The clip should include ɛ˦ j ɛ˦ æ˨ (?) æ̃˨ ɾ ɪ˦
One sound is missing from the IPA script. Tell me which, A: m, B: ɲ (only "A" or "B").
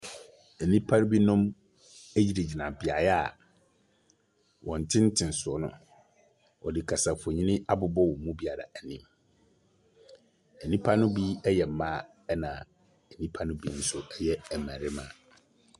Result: A